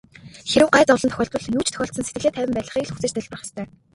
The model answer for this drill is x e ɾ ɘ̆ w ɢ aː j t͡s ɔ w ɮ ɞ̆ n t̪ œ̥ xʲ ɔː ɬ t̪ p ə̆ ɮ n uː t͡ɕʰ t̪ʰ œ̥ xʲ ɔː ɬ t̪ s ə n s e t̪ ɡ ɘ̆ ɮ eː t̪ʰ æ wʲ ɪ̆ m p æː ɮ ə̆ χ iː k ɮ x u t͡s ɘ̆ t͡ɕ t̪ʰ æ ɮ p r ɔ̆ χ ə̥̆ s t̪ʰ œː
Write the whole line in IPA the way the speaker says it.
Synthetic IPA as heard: x e ɾ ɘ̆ w ɢ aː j t͡s ɔ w ɮ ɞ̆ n t̪ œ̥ xʲ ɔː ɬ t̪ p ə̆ ɮ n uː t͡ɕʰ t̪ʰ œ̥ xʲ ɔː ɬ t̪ s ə n s e t̪ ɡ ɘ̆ ɮ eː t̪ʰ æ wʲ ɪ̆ m p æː ɮ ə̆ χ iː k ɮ x u t͡s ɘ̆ t͡ɕ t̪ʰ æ ɮ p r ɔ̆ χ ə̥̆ s t̪ʰ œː